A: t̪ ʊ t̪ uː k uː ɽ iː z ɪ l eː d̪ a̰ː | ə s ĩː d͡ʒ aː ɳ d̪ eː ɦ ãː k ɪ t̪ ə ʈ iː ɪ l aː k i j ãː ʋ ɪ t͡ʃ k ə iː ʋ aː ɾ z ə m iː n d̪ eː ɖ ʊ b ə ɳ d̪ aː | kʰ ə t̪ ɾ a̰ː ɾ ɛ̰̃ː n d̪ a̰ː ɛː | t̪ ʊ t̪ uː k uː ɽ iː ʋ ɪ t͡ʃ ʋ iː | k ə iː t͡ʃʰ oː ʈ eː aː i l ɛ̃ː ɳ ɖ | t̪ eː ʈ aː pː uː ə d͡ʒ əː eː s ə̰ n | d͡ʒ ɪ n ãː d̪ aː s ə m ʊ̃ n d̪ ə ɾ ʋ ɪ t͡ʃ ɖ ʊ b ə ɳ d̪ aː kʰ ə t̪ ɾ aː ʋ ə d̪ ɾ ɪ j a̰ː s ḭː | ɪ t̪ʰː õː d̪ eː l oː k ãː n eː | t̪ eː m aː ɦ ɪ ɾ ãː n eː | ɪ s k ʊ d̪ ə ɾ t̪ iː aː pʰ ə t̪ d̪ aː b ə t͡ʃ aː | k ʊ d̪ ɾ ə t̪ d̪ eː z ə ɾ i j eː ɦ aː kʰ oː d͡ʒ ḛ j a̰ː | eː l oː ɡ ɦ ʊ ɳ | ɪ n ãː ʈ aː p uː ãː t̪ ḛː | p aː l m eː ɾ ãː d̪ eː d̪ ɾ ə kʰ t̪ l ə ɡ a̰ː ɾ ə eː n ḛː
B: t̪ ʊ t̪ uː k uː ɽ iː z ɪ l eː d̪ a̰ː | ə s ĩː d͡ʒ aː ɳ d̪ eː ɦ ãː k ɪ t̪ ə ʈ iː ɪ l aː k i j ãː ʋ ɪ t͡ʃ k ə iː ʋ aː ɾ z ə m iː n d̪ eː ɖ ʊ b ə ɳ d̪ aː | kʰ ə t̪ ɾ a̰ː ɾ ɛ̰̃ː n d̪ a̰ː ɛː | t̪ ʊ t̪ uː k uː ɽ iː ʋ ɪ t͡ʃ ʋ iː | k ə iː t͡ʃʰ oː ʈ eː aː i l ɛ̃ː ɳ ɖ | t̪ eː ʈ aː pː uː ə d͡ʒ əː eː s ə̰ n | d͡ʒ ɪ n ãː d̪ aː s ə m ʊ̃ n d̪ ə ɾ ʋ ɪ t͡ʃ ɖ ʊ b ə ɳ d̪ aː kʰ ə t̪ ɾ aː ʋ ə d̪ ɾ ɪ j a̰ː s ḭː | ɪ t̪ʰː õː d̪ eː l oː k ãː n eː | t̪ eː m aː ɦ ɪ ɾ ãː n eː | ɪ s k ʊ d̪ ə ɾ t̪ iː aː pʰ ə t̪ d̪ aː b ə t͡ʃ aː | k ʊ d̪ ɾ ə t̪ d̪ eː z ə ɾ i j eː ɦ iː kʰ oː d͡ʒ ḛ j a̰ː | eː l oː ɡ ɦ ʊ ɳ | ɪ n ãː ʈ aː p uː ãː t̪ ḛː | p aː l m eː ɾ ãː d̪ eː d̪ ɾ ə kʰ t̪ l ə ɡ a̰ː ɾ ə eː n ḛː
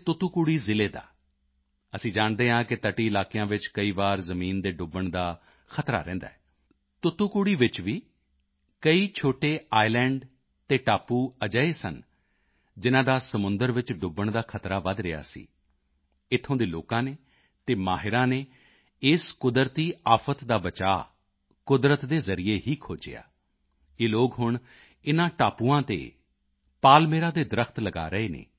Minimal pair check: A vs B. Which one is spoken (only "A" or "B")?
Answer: B